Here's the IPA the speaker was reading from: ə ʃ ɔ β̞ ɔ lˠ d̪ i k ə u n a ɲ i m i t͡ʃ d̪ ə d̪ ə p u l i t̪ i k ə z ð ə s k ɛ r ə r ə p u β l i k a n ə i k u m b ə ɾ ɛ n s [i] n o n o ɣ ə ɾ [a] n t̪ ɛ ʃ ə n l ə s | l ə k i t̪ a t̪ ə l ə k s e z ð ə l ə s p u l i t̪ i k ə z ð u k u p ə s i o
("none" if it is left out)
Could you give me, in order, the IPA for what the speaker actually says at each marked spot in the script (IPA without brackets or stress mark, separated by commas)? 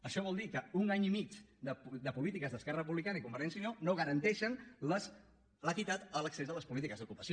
i, ə